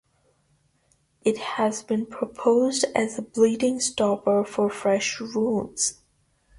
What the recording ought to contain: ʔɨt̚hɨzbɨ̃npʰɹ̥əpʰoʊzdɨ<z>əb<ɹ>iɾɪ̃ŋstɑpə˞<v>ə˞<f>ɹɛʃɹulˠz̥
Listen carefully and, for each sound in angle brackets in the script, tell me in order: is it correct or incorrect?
correct, incorrect: l, incorrect: f, correct

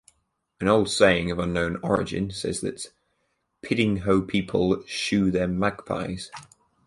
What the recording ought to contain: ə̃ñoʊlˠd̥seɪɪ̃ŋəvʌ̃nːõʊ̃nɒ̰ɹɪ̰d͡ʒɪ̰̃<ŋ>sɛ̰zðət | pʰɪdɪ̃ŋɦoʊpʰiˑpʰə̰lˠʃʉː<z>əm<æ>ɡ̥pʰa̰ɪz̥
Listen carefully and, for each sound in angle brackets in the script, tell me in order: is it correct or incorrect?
incorrect: n, incorrect: ð, incorrect: a

